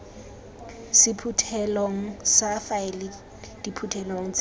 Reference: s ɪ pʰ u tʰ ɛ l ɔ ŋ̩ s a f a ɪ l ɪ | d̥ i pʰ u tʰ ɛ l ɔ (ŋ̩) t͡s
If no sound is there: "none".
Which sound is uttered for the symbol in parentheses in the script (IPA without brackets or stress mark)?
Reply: ŋ̩